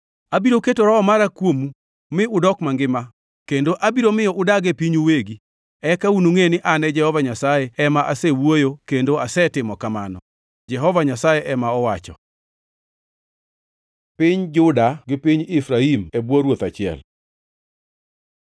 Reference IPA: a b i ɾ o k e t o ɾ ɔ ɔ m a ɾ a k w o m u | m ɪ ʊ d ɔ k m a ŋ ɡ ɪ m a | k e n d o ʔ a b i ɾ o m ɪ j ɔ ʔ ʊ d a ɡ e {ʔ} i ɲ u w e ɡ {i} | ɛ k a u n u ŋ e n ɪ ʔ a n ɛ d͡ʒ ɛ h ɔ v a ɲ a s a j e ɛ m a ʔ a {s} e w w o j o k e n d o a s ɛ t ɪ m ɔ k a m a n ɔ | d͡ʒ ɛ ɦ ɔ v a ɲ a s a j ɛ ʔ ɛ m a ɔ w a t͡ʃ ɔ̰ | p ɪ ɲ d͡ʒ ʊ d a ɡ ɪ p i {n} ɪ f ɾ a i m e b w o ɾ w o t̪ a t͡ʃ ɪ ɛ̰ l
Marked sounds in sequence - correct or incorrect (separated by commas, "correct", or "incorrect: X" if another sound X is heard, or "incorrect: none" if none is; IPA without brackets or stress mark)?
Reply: incorrect: p, correct, correct, incorrect: ɲ